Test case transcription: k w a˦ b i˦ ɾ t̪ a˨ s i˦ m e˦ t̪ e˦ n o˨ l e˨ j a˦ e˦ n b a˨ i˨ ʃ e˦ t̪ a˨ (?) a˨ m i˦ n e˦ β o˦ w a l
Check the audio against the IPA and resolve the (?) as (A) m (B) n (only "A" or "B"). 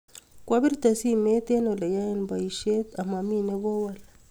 A